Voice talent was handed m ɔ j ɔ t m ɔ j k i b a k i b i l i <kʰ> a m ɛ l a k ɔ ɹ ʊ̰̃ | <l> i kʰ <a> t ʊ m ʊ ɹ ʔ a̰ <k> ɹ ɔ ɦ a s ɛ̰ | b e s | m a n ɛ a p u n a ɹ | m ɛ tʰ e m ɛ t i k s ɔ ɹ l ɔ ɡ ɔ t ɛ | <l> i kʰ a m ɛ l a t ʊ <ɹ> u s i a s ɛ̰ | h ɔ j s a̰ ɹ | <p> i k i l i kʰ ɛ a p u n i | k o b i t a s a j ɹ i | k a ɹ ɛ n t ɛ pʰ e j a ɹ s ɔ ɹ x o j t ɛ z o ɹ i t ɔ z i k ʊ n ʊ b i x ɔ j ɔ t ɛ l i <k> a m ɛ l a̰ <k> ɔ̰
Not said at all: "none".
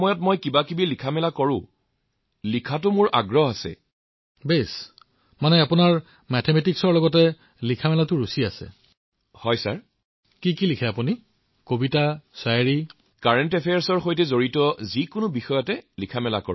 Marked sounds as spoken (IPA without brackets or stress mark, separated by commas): kʰ, l, a, ɡ, l, ɹ, k, kʰ, k